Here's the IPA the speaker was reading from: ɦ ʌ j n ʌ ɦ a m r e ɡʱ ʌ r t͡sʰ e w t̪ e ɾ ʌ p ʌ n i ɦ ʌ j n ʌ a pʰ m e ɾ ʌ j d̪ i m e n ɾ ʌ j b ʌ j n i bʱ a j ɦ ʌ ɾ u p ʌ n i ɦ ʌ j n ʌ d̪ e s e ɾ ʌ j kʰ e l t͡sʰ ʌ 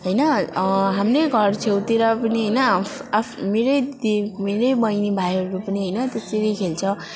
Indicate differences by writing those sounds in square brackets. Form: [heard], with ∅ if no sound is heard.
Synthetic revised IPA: ɦ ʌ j n ʌ ɦ a m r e ɡʱ ʌ r t͡sʰ e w t̪ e ɾ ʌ p ʌ n i ɦ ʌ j n ʌ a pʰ m e ɾ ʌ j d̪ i m e [∅] ɾ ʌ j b ʌ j n i bʱ a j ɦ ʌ ɾ u p ʌ n i ɦ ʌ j n ʌ [t̪] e s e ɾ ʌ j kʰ e l t͡sʰ ʌ